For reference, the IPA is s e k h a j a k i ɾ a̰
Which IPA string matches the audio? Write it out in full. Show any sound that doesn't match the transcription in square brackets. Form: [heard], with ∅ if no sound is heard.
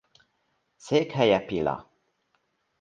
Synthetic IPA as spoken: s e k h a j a [p] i [l] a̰